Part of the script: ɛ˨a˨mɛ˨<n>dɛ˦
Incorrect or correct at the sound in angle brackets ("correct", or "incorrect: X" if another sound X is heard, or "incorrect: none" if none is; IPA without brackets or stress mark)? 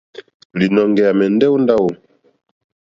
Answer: correct